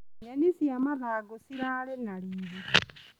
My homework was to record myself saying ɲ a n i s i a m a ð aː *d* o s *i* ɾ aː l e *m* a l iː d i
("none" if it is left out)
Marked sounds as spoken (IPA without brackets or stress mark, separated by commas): ɡ, i, n